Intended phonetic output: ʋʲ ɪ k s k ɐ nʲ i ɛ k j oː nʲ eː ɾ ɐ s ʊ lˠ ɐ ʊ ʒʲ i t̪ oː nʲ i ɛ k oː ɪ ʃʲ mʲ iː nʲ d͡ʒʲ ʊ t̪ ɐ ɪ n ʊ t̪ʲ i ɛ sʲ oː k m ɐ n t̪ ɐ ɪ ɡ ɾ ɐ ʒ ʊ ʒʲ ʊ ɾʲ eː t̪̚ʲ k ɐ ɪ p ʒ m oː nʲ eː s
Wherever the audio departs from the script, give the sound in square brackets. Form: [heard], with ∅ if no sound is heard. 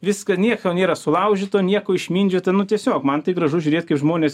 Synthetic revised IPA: ʋʲ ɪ [∅] s k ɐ nʲ i ɛ k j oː nʲ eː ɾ ɐ s ʊ lˠ ɐ ʊ ʒʲ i t̪ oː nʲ i ɛ k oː ɪ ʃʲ mʲ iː nʲ d͡ʒʲ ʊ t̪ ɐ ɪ n ʊ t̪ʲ i ɛ sʲ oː k m ɐ n t̪ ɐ ɪ ɡ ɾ ɐ ʒ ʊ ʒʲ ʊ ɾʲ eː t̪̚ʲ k ɐ ɪ p ʒ m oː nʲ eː s